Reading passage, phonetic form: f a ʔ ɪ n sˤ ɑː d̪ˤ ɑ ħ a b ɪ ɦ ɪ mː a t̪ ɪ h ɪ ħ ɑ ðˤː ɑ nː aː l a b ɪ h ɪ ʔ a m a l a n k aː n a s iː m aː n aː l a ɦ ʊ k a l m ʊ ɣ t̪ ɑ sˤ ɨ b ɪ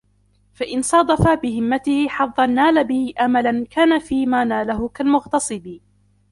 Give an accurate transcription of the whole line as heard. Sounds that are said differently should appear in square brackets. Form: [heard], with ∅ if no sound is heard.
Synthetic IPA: f a ʔ ɪ n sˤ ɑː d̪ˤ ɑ [f] a b ɪ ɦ ɪ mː a t̪ ɪ h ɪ ħ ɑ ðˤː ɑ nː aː l a b ɪ h ɪ ʔ a m a l a n k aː n a [f] iː m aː n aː l a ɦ ʊ k a l m ʊ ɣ t̪ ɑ sˤ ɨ b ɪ